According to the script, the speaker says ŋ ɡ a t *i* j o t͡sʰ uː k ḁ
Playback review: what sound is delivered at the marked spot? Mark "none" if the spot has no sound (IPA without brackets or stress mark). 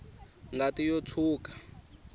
i